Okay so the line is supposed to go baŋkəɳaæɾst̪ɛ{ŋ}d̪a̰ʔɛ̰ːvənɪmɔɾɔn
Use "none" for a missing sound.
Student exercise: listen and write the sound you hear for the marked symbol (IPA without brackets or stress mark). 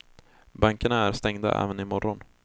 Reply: ŋ